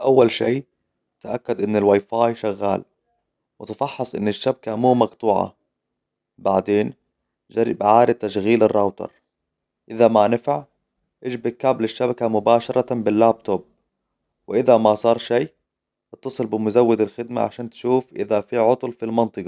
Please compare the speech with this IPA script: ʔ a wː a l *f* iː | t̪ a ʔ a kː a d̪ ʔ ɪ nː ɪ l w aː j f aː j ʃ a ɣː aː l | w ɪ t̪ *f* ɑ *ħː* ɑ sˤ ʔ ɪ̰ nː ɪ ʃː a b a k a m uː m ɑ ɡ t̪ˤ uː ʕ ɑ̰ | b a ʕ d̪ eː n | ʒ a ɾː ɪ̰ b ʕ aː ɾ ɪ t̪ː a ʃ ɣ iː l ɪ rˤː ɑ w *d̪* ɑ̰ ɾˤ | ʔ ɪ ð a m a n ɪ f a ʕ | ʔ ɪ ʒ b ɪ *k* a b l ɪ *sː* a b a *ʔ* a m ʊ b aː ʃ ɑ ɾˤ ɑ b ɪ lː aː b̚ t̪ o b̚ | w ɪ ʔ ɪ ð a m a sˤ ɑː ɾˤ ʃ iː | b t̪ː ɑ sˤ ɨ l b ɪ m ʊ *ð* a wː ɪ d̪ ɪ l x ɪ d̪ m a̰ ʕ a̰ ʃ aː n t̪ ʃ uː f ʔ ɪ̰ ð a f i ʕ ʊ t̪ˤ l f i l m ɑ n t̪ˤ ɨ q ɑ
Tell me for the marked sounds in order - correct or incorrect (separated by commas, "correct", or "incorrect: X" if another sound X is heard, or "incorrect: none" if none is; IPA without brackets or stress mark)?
incorrect: ʃ, correct, correct, incorrect: t̪, correct, incorrect: ʃː, incorrect: k, incorrect: z